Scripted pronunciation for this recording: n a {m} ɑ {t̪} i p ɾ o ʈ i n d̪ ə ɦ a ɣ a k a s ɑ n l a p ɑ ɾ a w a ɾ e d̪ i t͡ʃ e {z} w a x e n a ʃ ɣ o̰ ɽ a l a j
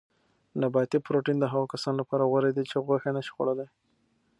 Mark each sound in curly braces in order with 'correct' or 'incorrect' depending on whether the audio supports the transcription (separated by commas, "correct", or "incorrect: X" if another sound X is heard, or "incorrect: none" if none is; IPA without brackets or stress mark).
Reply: incorrect: b, correct, incorrect: ɣ